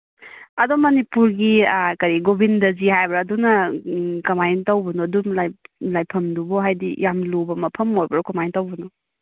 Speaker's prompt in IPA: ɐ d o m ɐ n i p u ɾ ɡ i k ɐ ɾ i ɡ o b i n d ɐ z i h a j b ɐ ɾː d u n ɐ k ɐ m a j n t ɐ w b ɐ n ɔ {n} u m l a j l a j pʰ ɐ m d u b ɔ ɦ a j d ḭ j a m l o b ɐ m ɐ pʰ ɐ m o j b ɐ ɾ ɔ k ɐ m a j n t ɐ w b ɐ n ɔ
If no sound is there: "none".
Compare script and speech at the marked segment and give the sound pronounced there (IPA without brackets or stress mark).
d